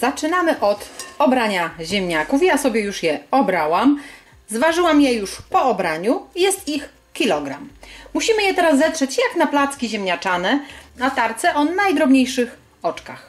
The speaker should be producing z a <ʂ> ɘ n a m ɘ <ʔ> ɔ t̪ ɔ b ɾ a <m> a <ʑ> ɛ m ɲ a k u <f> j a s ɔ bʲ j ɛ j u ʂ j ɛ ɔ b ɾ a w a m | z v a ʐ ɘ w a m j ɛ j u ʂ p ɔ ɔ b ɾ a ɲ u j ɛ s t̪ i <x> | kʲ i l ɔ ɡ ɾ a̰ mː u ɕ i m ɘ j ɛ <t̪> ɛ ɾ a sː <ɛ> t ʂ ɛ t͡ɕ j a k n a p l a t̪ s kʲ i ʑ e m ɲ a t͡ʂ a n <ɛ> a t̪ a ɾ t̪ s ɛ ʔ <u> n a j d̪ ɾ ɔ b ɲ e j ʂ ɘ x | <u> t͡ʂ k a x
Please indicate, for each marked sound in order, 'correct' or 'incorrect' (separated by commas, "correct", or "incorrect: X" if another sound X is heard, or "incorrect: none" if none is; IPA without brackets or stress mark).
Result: incorrect: t͡ʂ, correct, incorrect: ɲ, correct, correct, correct, correct, correct, correct, incorrect: ɔ, incorrect: ɔ